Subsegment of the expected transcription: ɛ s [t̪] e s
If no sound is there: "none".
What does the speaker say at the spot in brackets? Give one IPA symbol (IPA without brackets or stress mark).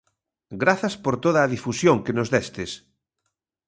t̪